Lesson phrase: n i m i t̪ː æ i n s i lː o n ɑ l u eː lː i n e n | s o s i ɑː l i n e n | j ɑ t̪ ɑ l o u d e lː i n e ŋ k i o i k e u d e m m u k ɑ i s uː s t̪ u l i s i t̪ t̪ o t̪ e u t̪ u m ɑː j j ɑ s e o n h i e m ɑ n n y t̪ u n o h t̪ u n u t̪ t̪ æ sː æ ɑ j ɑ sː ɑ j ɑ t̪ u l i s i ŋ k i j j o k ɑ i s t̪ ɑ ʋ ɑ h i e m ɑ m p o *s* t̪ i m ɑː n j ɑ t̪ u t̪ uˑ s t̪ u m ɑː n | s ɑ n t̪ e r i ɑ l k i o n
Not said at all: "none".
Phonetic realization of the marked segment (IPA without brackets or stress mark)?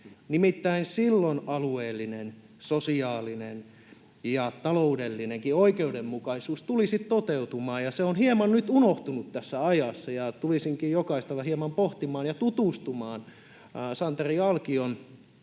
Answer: h